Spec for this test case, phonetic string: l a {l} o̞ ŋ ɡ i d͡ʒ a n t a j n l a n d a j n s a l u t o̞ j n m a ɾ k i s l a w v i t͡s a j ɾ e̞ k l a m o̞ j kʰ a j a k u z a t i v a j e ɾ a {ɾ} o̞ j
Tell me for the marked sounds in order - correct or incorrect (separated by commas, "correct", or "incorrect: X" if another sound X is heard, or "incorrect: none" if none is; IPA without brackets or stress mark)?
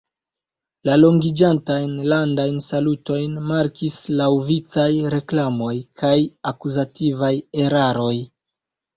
correct, correct